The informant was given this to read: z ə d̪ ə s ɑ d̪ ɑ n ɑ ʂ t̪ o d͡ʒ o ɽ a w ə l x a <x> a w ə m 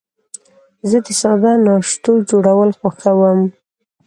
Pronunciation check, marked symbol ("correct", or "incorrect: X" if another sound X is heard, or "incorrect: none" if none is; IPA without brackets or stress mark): correct